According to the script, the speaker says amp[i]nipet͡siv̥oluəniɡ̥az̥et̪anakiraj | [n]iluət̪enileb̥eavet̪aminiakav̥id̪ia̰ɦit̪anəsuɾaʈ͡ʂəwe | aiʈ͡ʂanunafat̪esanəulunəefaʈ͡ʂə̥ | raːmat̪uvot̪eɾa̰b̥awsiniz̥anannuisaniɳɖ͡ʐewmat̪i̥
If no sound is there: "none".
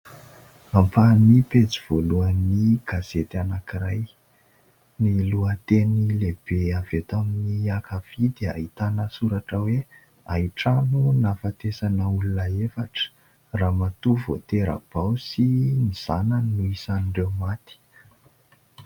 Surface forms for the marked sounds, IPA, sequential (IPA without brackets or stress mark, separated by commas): a, n